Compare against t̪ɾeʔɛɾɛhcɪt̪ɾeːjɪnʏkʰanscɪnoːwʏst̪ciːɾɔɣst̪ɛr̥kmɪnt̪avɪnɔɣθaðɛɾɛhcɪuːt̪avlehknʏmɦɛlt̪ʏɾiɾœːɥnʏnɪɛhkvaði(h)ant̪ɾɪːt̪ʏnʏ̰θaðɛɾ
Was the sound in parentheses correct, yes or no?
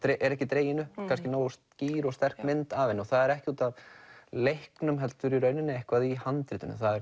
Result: yes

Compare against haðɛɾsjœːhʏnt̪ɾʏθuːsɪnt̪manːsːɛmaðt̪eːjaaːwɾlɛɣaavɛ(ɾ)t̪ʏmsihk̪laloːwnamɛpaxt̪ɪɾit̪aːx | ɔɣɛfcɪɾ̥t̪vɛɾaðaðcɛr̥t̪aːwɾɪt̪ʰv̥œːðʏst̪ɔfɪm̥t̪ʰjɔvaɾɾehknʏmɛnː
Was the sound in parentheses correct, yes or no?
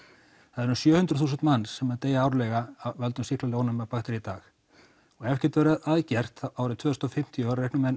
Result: no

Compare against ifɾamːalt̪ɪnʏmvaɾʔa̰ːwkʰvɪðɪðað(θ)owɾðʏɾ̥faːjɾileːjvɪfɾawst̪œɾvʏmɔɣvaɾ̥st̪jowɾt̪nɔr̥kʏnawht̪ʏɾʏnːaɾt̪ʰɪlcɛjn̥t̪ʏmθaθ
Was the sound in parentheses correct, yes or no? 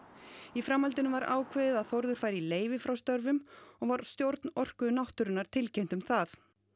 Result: yes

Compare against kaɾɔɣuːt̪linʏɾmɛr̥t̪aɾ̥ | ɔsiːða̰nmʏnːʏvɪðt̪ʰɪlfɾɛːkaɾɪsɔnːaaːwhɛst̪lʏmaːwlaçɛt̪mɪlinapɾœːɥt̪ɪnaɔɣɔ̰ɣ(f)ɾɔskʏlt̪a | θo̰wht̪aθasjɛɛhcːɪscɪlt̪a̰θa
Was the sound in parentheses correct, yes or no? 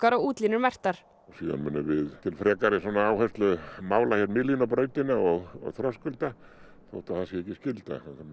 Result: no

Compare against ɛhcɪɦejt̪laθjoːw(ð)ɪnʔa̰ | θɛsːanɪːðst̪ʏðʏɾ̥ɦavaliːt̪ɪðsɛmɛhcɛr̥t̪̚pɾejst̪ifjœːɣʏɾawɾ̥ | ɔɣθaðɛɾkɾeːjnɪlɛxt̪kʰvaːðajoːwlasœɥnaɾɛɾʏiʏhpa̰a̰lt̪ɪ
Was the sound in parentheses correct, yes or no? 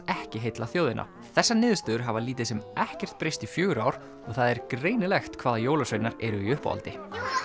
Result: yes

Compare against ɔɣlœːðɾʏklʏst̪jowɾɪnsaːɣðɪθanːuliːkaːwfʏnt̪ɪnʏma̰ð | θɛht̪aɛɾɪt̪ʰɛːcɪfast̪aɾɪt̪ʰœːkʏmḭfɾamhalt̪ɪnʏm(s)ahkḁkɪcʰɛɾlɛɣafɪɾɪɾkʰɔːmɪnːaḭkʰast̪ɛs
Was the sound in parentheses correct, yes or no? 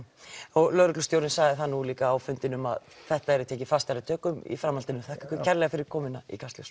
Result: no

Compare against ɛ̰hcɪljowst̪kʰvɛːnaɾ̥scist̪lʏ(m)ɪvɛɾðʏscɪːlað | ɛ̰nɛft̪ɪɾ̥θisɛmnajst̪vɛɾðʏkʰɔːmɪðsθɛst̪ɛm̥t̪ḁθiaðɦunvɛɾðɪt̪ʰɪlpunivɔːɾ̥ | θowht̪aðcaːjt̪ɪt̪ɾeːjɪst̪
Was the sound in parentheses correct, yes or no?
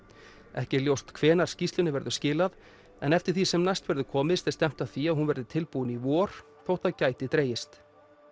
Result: no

